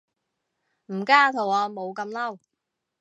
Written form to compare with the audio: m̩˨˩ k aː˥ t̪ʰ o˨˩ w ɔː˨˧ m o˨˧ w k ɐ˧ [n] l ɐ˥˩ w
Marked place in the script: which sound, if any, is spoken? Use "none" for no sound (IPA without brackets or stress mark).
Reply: m